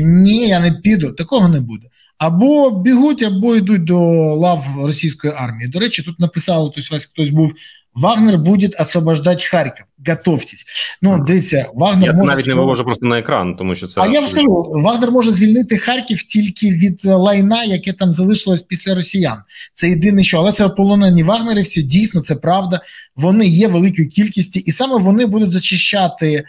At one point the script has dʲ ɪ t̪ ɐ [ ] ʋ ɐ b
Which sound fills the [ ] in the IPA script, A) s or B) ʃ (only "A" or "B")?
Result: A